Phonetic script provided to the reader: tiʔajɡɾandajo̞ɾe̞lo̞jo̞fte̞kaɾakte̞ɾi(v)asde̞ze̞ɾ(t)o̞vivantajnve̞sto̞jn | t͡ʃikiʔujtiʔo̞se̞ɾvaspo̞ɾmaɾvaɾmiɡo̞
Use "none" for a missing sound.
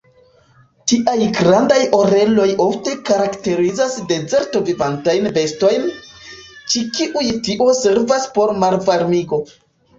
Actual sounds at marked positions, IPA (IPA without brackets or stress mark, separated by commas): z, t